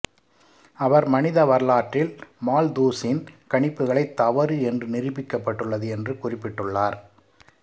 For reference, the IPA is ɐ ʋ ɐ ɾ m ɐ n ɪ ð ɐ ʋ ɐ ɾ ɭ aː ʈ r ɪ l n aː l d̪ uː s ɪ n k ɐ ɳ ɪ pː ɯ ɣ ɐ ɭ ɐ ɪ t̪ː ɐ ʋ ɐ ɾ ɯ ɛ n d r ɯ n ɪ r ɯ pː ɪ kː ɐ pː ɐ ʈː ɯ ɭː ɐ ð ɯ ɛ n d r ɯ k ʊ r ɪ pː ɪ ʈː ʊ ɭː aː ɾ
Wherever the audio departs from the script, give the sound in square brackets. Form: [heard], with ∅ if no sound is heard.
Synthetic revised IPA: ɐ ʋ ɐ ɾ m ɐ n ɪ ð ɐ ʋ ɐ ɾ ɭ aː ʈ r ɪ l [m] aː l d̪ uː s ɪ n k ɐ ɳ ɪ pː ɯ ɣ ɐ ɭ ɐ ɪ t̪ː ɐ ʋ ɐ ɾ ɯ ɛ n d r ɯ n ɪ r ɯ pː ɪ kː ɐ pː ɐ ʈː ɯ ɭː ɐ ð ɯ ɛ n d r ɯ k ʊ r ɪ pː ɪ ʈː [ɯ] ɭː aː ɾ